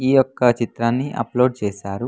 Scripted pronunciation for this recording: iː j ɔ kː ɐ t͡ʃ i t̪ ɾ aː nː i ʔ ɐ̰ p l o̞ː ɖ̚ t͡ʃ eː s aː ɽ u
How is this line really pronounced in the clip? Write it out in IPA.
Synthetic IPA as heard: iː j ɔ kː ɐ t͡ʃ i t̪ ɾ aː nː i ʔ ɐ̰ p l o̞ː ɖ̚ t͡ʃ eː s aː ɾ u